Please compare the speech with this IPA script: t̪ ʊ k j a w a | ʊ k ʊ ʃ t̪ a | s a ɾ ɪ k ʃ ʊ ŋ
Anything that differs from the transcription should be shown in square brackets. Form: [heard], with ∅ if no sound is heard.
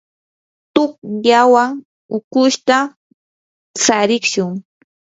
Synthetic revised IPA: t̪ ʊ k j a w a | ʊ k ʊ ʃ t̪ a | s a ɾ ɪ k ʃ ʊ ŋ